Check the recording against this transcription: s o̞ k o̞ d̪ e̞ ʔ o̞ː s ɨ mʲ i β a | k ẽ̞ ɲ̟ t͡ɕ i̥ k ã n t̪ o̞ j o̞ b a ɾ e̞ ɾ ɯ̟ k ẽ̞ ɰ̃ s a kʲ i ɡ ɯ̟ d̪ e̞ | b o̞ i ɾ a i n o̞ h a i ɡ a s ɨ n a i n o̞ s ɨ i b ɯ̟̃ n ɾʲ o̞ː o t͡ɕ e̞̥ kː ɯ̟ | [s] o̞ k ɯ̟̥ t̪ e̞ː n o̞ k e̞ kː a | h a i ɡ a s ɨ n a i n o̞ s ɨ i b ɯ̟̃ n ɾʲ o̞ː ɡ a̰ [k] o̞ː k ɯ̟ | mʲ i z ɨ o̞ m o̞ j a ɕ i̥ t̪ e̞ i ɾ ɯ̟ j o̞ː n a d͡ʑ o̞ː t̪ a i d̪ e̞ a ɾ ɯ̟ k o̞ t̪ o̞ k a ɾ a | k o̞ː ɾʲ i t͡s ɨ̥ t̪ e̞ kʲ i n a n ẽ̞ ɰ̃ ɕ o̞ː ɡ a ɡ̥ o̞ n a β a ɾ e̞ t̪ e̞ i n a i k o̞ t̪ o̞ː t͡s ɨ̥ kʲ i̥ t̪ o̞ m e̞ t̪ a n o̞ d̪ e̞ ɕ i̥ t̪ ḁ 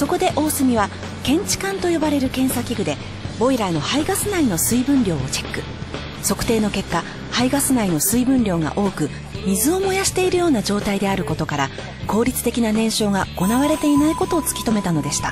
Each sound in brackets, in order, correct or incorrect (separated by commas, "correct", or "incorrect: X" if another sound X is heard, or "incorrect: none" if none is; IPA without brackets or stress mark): correct, incorrect: ʔ